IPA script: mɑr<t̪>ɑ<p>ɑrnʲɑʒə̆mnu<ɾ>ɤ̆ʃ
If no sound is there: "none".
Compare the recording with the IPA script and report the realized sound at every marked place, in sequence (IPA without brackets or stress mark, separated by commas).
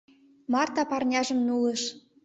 t̪, p, l